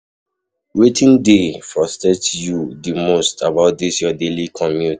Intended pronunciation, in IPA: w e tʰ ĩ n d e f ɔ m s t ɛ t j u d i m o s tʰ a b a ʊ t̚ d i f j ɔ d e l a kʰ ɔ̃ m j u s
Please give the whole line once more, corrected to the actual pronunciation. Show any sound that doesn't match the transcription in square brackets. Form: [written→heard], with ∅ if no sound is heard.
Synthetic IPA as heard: w e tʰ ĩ n d e f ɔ [m→∅] s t ɛ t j u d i m o s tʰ a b a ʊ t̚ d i [f→s] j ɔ d e l [a→i] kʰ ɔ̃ m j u [s→t]